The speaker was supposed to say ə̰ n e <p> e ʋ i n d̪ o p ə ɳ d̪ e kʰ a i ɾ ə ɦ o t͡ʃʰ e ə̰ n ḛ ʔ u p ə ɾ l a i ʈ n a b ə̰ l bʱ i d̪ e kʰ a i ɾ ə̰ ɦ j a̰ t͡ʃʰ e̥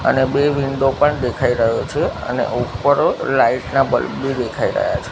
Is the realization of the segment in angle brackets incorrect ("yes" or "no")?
yes